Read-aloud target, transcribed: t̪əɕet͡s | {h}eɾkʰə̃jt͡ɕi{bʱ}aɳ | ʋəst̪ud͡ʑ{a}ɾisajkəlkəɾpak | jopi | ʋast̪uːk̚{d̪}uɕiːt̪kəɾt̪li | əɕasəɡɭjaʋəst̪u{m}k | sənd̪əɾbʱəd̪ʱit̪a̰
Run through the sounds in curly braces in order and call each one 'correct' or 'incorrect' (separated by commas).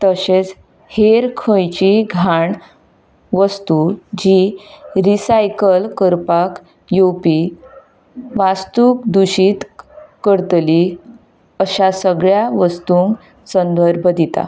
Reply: correct, incorrect, incorrect, correct, incorrect